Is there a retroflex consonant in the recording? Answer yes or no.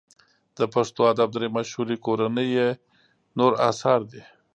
yes